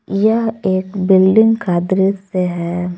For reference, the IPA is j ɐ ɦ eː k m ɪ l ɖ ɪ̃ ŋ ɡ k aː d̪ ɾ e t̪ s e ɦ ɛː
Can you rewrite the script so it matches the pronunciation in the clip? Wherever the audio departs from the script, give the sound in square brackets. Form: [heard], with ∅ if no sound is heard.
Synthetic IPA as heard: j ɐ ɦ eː k [b] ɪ l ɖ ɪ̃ ŋ ɡ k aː d̪ ɾ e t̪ s e ɦ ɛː